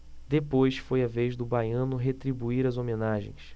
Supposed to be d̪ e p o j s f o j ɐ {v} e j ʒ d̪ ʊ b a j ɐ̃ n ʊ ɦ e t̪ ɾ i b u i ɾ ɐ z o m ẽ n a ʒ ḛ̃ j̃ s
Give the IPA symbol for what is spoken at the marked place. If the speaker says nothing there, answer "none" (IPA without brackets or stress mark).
v